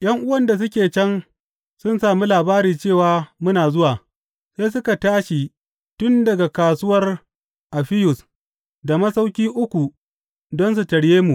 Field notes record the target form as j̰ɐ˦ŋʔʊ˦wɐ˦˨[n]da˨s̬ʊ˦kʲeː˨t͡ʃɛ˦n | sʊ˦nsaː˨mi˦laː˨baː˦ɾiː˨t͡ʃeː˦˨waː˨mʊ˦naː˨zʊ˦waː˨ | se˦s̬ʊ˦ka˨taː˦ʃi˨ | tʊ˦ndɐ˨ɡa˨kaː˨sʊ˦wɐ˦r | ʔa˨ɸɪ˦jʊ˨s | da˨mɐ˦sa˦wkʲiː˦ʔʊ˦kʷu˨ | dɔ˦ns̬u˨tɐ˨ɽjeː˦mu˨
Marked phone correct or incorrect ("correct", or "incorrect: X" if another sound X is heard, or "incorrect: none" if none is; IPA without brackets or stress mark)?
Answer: correct